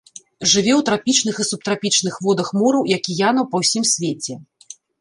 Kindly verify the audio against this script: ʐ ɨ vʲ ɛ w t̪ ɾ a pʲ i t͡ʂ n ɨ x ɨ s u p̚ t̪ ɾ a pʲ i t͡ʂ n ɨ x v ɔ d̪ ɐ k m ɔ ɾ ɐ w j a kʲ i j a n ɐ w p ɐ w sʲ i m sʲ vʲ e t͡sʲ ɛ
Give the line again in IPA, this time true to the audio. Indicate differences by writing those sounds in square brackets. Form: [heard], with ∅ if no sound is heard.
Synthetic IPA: ʐ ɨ vʲ ɛ w t̪ ɾ a pʲ i t͡ʂ n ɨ x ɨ s u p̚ t̪ ɾ a pʲ i t͡ʂ n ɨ x v ɔ d̪ ɐ [x] m ɔ ɾ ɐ w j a kʲ i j a n ɐ w p ɐ w sʲ i m sʲ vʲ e t͡sʲ ɛ